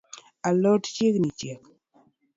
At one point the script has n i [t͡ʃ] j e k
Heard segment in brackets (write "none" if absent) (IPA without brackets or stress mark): t͡ʃ